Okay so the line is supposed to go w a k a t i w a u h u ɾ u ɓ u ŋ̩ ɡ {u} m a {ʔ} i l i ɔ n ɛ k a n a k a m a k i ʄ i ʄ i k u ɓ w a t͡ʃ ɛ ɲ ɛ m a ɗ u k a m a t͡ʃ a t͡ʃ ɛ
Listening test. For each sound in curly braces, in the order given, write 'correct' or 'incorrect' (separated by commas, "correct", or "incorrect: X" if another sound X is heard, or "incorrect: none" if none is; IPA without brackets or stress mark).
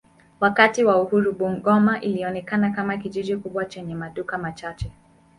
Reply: incorrect: ɔ, correct